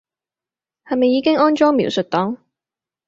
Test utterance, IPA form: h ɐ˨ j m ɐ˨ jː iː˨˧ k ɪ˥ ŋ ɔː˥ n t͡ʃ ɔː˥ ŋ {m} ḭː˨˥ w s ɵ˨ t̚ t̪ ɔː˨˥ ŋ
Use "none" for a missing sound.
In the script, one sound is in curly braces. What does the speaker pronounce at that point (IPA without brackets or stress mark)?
m